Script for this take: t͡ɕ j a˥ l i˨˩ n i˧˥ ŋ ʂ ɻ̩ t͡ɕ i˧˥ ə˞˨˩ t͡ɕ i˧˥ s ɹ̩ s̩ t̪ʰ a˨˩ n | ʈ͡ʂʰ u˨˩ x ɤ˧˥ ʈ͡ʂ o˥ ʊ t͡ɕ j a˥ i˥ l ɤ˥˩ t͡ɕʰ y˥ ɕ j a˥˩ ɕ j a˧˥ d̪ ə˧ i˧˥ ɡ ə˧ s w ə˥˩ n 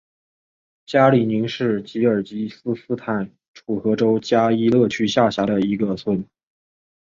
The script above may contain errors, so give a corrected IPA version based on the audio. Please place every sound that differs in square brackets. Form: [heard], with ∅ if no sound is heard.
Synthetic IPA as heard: t͡ɕ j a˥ l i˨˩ n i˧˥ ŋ ʂ ɻ̩ t͡ɕ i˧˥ ə˞˨˩ t͡ɕ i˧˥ s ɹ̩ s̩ t̪ʰ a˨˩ n | ʈ͡ʂʰ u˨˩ x ɤ˧˥ ʈ͡ʂ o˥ ʊ t͡ɕ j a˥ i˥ l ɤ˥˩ t͡ɕʰ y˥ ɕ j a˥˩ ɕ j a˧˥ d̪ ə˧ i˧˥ ɡ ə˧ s w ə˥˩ n